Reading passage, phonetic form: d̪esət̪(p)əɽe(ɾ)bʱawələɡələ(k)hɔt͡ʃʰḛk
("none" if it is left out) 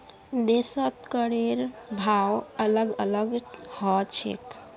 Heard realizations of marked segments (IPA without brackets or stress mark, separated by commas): k, ɾ, ɡ